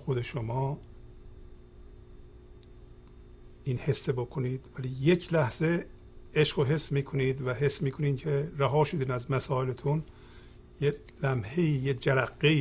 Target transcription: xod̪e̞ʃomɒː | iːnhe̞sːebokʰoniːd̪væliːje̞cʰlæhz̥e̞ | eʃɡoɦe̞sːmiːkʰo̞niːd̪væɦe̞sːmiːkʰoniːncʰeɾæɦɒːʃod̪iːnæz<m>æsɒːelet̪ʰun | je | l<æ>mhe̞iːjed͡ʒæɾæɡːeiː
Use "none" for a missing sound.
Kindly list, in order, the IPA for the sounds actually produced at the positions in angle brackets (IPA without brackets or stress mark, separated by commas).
m, æ